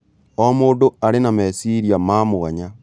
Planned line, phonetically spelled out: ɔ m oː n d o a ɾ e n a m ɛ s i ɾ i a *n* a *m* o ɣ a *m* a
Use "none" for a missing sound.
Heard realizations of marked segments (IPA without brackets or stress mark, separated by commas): m, m, ɲ